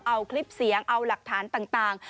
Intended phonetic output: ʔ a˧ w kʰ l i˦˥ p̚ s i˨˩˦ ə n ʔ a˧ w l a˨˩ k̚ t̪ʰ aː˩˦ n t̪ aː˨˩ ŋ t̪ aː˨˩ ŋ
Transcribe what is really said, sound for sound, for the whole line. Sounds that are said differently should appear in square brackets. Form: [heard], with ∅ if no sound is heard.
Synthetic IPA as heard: ʔ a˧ w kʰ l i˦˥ p̚ s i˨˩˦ ə [ŋ] ʔ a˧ w l a˨˩ k̚ t̪ʰ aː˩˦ n t̪ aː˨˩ ŋ t̪ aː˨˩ ŋ